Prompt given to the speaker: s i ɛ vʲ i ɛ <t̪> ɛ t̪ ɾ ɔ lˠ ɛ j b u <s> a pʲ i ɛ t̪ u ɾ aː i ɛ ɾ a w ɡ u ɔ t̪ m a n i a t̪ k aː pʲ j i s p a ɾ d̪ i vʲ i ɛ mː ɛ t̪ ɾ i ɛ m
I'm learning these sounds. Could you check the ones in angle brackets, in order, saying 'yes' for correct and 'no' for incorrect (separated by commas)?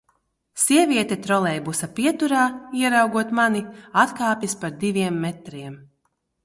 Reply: yes, yes